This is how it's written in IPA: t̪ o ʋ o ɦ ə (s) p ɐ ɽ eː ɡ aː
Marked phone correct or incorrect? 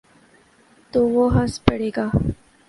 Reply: correct